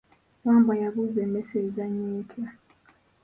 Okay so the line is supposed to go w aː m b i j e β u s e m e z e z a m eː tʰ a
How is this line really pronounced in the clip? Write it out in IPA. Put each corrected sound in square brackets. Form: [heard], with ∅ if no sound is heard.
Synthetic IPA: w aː m b [a] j [a] β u [z] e m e [s] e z a [ɲ] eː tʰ a